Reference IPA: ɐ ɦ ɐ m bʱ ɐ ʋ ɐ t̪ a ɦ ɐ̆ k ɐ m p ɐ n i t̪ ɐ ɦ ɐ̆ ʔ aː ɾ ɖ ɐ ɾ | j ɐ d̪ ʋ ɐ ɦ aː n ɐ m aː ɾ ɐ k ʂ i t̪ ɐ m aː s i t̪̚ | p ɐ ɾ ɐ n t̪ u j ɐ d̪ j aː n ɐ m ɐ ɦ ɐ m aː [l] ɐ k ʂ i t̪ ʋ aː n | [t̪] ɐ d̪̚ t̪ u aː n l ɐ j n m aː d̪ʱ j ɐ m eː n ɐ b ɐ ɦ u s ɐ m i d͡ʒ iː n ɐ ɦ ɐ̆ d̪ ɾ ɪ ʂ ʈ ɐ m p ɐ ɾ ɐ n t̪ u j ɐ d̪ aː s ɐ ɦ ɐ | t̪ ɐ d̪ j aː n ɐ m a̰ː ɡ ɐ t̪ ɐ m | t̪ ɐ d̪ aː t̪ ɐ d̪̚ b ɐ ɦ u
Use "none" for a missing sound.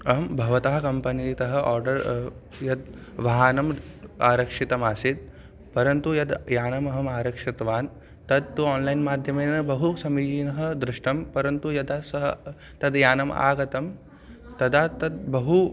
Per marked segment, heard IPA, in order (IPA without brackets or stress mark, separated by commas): ɾ, t̪